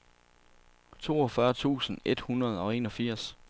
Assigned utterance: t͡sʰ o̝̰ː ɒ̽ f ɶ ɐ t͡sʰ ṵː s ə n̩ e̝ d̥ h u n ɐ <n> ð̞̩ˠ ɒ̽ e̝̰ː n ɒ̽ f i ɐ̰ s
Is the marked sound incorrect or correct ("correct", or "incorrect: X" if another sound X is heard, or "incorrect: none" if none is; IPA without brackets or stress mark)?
incorrect: none